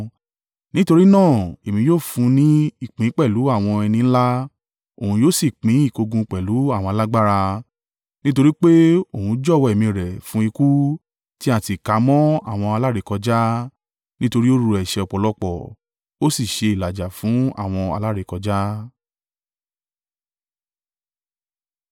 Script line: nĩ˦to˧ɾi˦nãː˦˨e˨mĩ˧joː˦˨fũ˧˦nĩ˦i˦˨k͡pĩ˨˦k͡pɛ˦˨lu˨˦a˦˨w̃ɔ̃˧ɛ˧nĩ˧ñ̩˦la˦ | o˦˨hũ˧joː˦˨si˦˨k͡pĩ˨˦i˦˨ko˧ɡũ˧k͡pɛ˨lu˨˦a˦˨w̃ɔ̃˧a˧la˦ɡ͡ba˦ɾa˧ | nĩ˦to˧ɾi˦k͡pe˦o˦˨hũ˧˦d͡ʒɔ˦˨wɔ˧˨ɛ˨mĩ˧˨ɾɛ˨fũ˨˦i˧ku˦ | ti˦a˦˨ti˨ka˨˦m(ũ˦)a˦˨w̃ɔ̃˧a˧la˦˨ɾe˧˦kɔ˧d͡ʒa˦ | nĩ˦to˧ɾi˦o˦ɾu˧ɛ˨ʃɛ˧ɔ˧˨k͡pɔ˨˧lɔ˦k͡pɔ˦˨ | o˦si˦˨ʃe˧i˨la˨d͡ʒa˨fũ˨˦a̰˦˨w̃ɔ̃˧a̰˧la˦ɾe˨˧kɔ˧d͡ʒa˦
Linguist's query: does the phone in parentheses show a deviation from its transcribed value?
yes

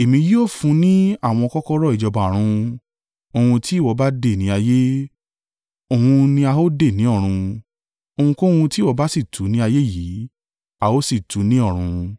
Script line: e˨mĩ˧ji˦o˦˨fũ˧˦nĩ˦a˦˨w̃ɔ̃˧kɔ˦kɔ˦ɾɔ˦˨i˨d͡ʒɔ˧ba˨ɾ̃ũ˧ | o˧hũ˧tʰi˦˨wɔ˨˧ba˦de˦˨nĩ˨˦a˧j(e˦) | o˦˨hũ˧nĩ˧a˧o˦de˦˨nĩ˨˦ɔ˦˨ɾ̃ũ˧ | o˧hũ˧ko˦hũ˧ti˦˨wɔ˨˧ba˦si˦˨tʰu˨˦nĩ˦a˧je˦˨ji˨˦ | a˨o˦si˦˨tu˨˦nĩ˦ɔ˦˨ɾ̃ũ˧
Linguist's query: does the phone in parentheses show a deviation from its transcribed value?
no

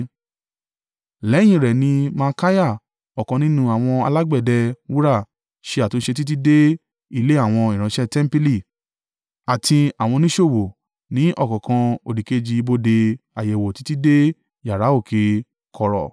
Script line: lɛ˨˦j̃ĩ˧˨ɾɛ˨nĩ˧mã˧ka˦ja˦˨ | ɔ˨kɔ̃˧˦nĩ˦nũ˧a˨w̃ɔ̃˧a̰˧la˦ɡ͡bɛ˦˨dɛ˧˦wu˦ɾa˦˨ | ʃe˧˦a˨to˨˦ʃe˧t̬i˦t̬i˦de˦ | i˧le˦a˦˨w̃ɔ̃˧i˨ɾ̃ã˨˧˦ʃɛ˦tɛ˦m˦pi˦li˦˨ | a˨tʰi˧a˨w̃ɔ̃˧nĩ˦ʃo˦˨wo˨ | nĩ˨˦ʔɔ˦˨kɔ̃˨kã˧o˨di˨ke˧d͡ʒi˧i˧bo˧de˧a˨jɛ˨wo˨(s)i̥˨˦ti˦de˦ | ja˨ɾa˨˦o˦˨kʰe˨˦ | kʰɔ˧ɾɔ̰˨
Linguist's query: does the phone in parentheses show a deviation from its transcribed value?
yes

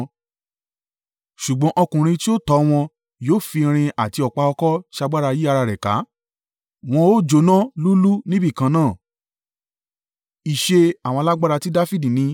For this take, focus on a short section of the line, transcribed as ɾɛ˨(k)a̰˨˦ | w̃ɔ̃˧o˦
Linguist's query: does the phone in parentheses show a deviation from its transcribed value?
no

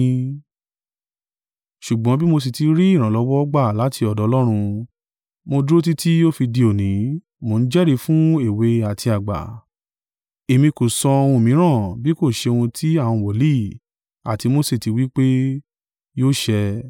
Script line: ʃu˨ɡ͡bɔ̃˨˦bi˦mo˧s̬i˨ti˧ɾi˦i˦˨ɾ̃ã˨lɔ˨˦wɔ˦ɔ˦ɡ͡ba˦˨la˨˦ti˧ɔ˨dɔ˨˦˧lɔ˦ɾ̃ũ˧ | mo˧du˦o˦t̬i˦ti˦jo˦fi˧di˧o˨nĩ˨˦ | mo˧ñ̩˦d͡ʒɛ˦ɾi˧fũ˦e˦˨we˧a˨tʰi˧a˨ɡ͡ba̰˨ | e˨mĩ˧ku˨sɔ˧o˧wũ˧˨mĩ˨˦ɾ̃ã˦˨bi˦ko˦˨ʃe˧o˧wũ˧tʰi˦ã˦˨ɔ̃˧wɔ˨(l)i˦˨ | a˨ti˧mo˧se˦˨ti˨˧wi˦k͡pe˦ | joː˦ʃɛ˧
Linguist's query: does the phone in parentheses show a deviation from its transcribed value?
no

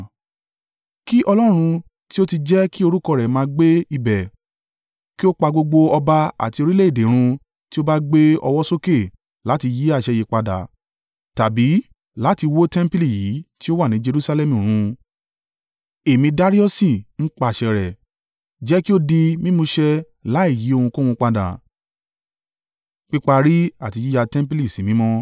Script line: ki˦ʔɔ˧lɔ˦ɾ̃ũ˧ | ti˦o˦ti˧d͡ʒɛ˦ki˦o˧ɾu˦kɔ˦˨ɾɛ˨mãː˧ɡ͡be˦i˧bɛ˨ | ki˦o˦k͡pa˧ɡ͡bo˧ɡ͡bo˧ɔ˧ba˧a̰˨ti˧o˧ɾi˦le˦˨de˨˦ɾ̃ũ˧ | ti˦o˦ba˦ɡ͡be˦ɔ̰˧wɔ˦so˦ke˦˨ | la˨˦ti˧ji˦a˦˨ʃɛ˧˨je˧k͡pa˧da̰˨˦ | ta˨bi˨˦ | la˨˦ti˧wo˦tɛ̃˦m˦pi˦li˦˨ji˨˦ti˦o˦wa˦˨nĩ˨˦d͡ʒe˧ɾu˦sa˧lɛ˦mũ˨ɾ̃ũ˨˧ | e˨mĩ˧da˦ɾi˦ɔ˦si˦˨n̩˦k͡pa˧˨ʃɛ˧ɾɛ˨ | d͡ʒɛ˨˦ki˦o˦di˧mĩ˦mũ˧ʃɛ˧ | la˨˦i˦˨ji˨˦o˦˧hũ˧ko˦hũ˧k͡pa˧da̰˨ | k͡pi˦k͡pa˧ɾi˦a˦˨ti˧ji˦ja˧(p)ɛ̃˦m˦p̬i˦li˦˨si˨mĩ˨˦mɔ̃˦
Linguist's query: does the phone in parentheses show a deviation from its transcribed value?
yes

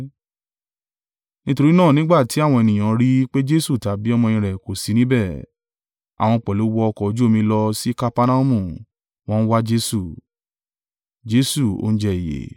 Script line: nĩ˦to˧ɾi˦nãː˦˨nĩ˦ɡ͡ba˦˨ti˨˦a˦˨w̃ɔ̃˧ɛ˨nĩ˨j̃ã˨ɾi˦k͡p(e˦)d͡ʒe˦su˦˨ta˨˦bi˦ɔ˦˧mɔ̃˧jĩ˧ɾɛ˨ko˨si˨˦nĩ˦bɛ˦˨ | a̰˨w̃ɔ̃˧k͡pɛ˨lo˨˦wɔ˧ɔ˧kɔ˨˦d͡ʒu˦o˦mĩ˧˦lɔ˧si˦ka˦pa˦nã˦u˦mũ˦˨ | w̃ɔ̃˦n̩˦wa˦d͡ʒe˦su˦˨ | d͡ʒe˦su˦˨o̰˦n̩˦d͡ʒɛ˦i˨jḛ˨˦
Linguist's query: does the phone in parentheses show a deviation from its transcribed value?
no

